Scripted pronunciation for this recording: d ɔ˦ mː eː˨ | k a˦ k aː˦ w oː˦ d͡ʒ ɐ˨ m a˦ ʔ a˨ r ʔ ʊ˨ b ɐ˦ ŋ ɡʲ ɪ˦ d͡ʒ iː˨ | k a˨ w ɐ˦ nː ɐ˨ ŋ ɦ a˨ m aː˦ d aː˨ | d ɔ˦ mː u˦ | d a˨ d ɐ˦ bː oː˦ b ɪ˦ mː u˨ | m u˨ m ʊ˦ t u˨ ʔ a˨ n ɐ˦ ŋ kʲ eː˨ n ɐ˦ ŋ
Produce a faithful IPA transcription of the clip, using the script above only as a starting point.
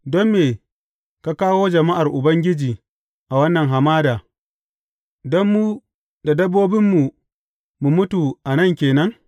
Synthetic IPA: d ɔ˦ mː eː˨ | k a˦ k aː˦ w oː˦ d͡ʒ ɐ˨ m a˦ ʔ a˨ r ʔ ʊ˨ b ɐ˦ ŋ ɡʲ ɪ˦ d͡ʒ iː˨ | ʔ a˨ w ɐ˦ nː ɐ˨ ŋ ɦ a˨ m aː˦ d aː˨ | d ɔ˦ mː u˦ | d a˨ d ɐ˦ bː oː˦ b ɪ˦ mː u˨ | m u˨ m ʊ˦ t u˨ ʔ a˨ n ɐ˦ ŋ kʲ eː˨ n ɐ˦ ŋ